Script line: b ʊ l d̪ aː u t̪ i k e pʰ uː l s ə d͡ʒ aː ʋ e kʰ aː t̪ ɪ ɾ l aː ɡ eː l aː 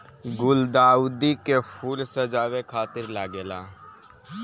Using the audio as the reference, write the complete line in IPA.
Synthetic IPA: ɡ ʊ l d̪ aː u d̪ i k e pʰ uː l s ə d͡ʒ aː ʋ e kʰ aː t̪ ɪ ɾ l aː ɡ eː l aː

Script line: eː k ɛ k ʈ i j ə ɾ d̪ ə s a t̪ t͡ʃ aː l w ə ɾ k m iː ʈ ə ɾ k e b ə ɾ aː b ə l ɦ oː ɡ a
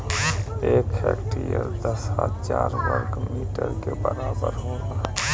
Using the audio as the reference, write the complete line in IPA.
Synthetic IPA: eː k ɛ k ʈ i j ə ɾ d̪ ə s a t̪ t͡ʃ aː ɾ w ə ɾ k m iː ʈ ə ɾ k e b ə ɾ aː b ə ɾ ɦ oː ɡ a

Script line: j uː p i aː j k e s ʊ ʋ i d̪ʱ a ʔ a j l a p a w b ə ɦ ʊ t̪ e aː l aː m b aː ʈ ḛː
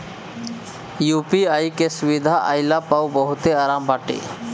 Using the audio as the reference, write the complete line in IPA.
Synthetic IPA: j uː p i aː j k e s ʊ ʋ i d̪ʱ a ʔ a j l a p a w b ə ɦ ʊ t̪ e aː ɾ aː m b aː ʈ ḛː

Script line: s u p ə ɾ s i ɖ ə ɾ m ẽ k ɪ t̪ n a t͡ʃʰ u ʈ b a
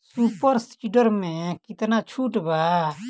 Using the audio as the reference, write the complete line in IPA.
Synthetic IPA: s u p ə ɾ s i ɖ ə ɾ m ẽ k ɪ t̪ n a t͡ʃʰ u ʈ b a

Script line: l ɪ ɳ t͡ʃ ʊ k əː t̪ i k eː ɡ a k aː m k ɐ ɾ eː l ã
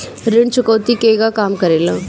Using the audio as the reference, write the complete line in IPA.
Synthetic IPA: ɾ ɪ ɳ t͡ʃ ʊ k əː t̪ i k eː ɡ a k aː m k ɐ ɾ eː l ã

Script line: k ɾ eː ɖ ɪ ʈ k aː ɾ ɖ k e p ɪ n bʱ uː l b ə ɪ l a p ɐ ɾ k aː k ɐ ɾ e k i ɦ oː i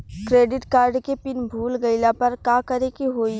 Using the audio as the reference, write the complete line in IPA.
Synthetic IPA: k ɾ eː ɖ ɪ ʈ k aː ɾ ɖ k e p ɪ n bʱ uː l ɡ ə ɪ l a p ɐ ɾ k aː k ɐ ɾ e k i ɦ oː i

